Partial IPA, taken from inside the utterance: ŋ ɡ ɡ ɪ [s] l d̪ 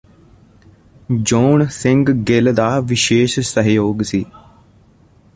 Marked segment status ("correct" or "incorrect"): incorrect